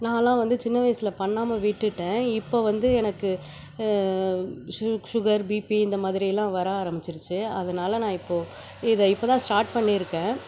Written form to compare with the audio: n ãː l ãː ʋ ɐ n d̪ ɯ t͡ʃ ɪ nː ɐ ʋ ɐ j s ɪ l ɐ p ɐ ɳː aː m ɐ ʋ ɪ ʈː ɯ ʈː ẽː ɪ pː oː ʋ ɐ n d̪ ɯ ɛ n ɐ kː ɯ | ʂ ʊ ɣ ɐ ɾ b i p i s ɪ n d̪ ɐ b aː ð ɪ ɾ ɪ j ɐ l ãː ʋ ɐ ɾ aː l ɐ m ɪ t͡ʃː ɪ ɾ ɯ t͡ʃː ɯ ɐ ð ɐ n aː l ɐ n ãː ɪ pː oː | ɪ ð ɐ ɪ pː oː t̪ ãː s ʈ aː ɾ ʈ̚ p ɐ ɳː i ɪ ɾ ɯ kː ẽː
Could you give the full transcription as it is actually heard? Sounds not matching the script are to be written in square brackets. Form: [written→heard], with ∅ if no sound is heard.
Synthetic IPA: n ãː l ãː ʋ ɐ n d̪ ɯ t͡ʃ ɪ nː ɐ ʋ ɐ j s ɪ l ɐ p ɐ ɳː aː m ɐ ʋ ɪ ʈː ɯ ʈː ẽː ɪ pː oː ʋ ɐ n d̪ ɯ ɛ n ɐ kː ɯ | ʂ ʊ ɣ ɐ ɾ b i p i [s→∅] ɪ n d̪ ɐ [b→m] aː ð ɪ ɾ ɪ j ɐ l ãː ʋ ɐ ɾ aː [l→ɾ] ɐ m ɪ t͡ʃː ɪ ɾ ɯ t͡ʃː ɯ ɐ ð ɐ n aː l ɐ n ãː ɪ pː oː | ɪ ð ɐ ɪ pː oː t̪ ãː s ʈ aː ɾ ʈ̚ p ɐ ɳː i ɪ ɾ ɯ kː ẽː